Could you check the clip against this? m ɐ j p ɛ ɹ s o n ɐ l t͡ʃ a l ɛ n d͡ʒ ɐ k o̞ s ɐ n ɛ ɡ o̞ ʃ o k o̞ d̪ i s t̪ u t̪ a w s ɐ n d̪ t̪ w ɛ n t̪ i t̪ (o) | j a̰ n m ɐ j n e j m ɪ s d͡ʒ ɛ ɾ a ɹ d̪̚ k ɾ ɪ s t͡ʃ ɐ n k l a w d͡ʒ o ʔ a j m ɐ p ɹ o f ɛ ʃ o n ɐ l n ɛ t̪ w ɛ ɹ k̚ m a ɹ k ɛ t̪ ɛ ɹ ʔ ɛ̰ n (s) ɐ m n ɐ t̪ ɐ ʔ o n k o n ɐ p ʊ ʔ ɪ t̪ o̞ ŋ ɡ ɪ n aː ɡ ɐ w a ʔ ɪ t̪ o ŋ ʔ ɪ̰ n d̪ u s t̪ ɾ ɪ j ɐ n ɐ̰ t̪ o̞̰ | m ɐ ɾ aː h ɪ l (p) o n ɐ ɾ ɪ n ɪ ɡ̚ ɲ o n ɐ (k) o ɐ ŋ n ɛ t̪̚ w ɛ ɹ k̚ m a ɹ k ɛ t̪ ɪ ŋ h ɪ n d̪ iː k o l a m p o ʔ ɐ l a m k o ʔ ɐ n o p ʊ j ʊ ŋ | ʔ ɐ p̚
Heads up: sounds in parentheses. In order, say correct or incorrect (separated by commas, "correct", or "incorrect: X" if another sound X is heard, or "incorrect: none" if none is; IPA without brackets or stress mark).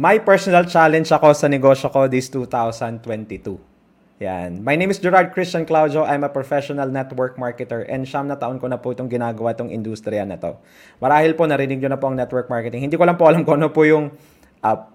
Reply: incorrect: u, incorrect: ʃ, correct, incorrect: p